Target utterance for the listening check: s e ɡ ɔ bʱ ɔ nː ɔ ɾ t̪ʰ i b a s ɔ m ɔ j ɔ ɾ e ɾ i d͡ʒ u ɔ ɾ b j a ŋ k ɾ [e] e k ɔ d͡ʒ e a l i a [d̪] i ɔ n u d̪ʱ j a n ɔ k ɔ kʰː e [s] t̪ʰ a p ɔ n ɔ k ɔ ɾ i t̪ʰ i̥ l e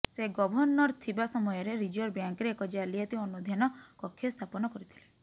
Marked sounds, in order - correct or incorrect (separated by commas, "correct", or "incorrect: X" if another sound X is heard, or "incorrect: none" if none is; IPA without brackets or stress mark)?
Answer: correct, incorrect: t̪, correct